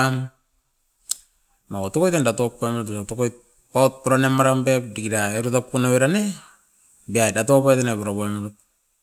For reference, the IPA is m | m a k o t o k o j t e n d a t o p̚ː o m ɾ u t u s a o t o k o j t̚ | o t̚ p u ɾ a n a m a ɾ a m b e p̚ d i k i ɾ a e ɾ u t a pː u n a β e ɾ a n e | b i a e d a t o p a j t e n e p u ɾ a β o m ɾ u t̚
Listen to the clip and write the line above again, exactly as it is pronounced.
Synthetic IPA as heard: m | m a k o t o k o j t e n d a t o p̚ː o m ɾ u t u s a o t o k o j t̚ | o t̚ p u ɾ a n e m a ɾ a m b e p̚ d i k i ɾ a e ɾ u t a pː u n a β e ɾ a n e | b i a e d a t o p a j t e n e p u ɾ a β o m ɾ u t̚